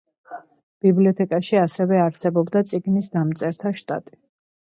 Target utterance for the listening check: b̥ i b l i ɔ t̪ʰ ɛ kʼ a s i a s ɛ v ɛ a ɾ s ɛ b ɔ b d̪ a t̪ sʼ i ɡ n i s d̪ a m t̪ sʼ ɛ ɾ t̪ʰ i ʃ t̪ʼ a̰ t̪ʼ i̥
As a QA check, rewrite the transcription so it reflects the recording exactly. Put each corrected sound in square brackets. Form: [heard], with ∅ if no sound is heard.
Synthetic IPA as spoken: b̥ i b l i ɔ t̪ʰ ɛ kʼ a [ʃ] i a s ɛ v ɛ a ɾ s ɛ b ɔ b d̪ a t̪ sʼ i ɡ n i s d̪ a m t̪ sʼ ɛ ɾ t̪ʰ [a] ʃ t̪ʼ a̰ t̪ʼ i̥